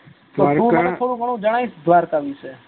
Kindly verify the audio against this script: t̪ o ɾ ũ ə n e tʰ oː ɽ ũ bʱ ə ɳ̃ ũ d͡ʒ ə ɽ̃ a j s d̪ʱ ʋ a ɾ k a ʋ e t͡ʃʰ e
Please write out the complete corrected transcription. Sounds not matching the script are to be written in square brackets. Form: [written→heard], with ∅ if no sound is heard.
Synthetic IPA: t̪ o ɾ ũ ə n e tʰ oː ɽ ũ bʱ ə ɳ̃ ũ d͡ʒ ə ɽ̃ a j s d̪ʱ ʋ a ɾ k a ʋ [e→i] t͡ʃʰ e